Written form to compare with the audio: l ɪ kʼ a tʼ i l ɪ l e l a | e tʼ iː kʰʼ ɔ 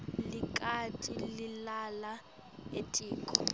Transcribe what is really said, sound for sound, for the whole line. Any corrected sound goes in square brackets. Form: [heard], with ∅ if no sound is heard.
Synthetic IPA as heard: l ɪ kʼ a tʼ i l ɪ l [a] l a | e tʼ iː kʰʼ ɔ